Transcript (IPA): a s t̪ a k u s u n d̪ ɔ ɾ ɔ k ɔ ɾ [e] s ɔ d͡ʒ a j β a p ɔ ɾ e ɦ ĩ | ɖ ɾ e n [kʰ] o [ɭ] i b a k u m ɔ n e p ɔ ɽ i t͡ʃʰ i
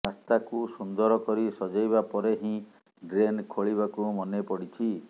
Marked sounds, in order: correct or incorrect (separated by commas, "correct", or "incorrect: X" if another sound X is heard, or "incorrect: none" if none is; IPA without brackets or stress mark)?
incorrect: i, correct, correct